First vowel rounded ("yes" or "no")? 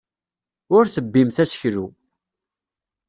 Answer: yes